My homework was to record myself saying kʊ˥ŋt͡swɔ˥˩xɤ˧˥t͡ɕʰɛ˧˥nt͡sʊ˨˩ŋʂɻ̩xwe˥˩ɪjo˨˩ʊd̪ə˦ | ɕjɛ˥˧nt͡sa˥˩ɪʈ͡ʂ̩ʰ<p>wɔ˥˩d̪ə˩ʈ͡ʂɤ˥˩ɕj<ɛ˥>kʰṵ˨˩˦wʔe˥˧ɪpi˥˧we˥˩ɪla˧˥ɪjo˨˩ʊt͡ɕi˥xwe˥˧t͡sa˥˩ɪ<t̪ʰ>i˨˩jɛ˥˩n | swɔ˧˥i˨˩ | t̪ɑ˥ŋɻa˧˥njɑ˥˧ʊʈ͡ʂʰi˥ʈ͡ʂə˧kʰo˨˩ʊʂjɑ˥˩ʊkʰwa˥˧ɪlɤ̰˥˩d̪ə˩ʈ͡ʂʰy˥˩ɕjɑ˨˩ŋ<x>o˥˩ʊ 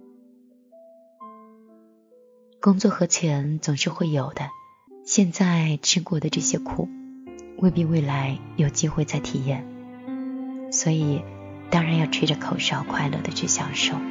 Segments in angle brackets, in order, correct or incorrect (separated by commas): incorrect, correct, correct, incorrect